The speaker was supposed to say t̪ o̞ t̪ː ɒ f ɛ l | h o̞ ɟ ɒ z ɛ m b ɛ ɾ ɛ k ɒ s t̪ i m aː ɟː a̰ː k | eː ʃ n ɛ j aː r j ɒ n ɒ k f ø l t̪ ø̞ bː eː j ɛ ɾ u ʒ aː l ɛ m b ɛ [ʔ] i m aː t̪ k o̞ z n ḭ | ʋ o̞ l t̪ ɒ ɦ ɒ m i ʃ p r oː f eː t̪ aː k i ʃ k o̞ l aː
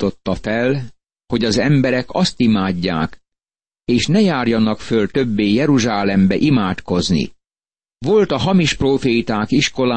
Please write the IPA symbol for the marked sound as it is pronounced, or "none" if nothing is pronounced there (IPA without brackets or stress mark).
ʔ